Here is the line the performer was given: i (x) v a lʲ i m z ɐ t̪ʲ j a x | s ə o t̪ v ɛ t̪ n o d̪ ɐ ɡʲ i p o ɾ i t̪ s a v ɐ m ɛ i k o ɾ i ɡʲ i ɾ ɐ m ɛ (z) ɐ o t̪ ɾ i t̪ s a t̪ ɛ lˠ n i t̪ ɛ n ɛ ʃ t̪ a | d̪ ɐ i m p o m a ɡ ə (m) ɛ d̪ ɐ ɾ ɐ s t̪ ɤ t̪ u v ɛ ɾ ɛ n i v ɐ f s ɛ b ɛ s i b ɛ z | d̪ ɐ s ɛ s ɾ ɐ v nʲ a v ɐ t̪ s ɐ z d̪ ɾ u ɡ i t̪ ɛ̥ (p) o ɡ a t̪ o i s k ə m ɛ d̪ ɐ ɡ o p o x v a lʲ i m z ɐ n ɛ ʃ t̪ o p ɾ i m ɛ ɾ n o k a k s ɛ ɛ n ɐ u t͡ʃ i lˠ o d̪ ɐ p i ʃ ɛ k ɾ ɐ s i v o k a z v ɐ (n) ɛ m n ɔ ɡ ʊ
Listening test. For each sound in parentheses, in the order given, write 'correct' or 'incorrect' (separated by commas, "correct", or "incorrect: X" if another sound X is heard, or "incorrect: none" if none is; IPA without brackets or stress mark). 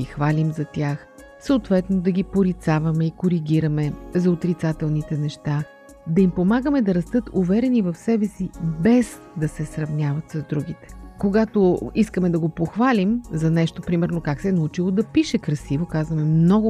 correct, correct, correct, incorrect: k, incorrect: m